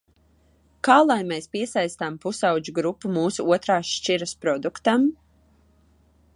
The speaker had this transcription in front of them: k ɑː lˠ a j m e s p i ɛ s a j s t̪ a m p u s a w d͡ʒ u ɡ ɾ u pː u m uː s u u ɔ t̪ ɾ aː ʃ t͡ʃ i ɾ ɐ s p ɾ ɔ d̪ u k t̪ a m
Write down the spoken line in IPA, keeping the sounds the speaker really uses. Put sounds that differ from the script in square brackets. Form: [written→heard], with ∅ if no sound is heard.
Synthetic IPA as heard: k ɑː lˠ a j m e s p i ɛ s a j s t̪ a m p u s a w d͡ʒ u ɡ ɾ u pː u m uː s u u ɔ t̪ ɾ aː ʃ t͡ʃ i ɾ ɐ s p ɾ ɔ d̪ u k t̪ a m